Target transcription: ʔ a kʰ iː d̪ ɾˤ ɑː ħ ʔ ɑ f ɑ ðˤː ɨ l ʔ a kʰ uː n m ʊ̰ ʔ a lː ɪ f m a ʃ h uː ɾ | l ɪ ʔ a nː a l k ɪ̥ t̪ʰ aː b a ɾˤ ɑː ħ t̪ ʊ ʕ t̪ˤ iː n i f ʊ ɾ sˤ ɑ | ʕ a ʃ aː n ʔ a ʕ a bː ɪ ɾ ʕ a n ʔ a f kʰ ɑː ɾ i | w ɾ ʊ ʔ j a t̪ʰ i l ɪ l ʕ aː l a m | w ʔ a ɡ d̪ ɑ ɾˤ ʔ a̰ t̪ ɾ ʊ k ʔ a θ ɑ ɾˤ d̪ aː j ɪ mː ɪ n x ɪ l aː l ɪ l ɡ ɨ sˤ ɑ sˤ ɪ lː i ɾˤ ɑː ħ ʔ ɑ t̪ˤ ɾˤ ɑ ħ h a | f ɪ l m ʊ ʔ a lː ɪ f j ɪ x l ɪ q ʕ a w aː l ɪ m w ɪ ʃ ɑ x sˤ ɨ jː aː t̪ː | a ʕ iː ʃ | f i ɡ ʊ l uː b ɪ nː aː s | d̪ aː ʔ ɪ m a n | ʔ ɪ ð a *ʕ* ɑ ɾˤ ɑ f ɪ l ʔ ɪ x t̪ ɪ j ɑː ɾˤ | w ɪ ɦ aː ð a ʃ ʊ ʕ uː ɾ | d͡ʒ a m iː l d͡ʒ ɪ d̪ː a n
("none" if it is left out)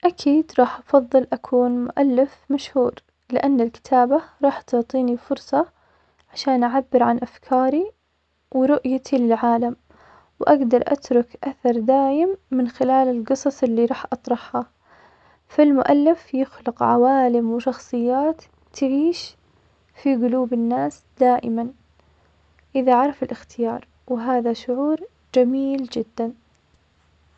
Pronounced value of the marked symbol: ʕ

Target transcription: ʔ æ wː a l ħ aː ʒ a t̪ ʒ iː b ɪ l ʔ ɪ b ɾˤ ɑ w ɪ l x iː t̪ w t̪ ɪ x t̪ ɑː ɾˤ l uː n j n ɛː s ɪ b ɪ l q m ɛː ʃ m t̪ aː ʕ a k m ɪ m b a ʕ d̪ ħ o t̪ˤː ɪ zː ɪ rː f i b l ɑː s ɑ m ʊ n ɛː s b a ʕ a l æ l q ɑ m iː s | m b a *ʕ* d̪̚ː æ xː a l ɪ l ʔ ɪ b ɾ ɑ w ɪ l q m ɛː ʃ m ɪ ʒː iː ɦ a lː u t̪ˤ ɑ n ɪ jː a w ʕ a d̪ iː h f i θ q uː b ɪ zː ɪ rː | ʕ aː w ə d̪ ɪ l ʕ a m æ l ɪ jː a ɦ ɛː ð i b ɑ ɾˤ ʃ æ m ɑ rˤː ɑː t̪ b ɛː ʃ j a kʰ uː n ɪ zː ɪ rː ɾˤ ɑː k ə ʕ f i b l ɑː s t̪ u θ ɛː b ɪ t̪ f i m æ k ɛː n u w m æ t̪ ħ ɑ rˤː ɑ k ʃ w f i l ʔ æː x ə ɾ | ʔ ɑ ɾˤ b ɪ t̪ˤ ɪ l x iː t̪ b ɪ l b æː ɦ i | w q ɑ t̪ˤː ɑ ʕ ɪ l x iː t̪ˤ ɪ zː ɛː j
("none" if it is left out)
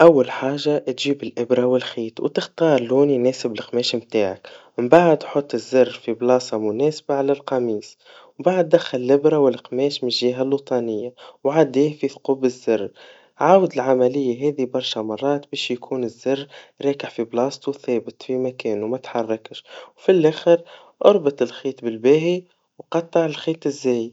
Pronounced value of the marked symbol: ʕ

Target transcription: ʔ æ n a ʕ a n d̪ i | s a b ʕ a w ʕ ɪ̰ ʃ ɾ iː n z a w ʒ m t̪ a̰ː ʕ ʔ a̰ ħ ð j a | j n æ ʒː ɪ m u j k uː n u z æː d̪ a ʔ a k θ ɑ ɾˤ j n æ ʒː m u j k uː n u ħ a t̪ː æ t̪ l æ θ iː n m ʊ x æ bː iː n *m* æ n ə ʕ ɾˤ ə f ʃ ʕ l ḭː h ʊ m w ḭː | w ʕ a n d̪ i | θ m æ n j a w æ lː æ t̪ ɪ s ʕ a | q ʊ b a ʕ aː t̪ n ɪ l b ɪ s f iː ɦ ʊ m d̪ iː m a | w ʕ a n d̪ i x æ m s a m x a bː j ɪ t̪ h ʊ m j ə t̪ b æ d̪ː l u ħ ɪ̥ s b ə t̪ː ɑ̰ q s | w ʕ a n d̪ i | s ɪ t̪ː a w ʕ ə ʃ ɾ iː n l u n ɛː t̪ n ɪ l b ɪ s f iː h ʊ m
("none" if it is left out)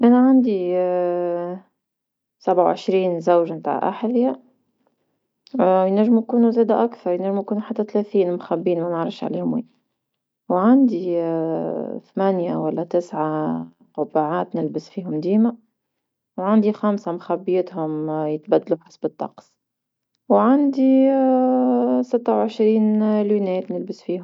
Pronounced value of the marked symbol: m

